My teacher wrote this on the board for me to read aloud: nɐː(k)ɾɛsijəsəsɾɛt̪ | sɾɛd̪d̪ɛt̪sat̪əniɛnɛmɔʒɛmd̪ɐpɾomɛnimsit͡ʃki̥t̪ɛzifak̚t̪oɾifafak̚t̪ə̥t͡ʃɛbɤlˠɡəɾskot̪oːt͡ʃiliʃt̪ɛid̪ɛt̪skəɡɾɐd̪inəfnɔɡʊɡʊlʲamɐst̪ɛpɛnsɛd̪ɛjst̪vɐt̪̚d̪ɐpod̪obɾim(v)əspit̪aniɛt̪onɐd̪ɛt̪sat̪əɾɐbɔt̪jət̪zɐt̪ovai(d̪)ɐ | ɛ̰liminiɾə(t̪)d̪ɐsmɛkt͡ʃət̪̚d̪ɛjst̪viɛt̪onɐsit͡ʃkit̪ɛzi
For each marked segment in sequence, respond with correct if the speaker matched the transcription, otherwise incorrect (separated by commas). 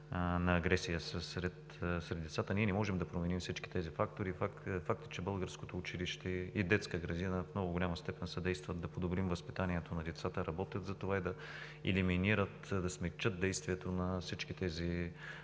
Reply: incorrect, correct, correct, correct